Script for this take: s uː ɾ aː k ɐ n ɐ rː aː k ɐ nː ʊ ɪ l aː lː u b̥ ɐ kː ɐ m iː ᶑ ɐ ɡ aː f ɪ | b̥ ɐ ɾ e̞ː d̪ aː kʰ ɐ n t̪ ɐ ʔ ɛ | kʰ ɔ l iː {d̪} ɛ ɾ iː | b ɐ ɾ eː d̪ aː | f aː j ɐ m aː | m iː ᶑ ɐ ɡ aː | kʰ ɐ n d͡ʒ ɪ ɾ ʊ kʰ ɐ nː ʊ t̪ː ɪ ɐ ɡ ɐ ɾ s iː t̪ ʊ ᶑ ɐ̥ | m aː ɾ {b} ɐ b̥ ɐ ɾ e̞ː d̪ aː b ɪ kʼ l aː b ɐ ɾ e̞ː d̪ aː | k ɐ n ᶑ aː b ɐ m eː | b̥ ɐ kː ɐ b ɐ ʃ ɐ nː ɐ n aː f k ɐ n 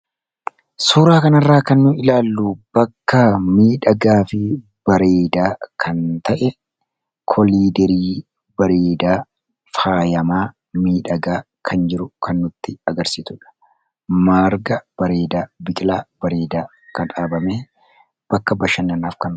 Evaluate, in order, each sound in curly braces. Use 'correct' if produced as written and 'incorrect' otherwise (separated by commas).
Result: correct, incorrect